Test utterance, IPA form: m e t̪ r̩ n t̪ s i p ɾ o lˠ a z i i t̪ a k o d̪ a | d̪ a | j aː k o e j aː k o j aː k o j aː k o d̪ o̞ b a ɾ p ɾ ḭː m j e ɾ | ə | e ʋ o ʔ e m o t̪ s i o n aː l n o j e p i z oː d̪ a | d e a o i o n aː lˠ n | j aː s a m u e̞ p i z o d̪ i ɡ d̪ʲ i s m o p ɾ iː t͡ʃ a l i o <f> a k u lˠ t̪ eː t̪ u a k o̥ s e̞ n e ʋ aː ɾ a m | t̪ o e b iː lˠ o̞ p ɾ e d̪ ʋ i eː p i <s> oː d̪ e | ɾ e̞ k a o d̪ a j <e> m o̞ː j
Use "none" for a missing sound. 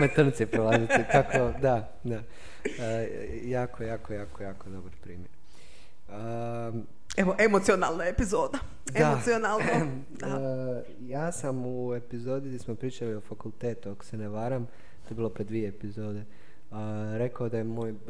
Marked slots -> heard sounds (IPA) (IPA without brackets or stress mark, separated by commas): f, z, e